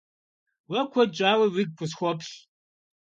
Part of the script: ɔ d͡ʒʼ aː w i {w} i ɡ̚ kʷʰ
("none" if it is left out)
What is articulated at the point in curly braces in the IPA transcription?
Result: w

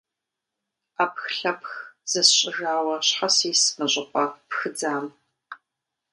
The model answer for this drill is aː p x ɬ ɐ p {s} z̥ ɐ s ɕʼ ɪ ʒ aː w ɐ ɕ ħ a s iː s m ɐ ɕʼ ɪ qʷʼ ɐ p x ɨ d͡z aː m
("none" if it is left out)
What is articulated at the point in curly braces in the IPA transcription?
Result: x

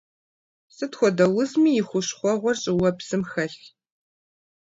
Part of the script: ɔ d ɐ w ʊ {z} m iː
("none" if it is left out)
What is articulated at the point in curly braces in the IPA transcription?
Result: z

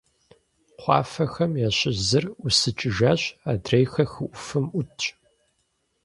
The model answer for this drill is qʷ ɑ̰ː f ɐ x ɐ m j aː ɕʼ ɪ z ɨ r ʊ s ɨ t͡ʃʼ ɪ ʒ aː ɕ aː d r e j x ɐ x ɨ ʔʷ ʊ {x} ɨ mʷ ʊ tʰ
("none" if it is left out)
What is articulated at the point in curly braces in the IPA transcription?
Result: f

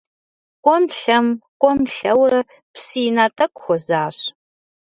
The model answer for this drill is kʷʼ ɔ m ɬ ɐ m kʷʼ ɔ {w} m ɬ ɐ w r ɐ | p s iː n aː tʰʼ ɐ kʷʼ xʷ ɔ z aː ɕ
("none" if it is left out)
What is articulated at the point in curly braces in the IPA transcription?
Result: none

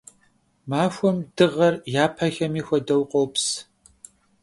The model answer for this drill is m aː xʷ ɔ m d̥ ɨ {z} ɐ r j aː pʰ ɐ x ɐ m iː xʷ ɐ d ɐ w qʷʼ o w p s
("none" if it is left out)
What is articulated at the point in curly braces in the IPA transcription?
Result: ʁ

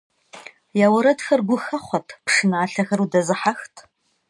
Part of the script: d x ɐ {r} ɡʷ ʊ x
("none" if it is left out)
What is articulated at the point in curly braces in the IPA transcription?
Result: r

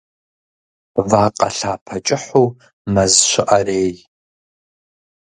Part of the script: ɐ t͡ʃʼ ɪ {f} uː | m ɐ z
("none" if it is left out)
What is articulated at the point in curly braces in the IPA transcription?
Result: ħ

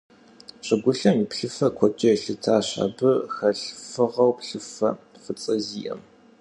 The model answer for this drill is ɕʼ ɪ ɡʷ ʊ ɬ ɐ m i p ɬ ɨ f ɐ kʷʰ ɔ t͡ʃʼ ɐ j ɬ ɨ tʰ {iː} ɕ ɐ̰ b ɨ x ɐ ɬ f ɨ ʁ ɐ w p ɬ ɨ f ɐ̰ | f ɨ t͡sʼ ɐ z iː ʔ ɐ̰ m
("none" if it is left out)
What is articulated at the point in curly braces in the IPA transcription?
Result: aː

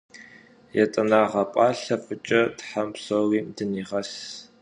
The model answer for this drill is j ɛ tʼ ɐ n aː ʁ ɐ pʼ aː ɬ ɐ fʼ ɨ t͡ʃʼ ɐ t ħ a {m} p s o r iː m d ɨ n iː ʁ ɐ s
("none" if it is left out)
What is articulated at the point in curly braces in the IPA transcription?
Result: m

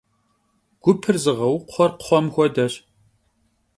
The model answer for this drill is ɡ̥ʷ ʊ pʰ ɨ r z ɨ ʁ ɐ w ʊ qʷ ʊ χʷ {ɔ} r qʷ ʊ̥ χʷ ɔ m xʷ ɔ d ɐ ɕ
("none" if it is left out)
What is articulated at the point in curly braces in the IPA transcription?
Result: ɔ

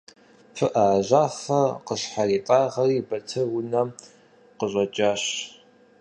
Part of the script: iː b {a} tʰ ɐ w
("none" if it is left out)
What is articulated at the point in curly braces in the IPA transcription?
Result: ɐ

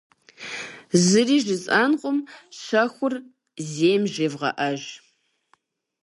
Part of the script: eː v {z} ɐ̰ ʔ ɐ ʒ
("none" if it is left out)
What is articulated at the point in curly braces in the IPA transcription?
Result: ʁ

